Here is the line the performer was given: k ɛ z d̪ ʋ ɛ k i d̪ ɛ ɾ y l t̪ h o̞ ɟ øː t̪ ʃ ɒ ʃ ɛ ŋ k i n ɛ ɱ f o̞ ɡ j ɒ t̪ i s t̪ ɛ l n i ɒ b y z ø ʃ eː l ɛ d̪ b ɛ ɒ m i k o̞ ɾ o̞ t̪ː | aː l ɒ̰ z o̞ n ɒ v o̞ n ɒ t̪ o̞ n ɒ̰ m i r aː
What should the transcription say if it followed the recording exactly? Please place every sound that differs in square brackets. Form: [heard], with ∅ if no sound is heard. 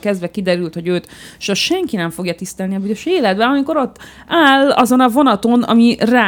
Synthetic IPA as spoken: k ɛ z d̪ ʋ ɛ k i d̪ ɛ ɾ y l t̪ h o̞ ɟ øː t̪ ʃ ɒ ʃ ɛ ŋ k i n ɛ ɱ f o̞ ɡ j ɒ t̪ i s t̪ ɛ l n i ɒ b y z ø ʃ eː l ɛ d̪ b ɛ ɒ m i k o̞ ɾ o̞ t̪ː | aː l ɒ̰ z o̞ n ɒ v o̞ n ɒ t̪ o̞ n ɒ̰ m i r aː